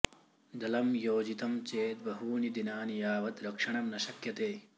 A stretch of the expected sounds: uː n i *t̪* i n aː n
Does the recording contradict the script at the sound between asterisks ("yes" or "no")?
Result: yes